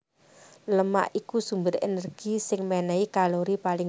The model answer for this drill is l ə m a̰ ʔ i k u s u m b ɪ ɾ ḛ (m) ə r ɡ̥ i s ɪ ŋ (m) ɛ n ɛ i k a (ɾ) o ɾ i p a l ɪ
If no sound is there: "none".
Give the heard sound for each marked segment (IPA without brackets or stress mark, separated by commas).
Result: n, m, l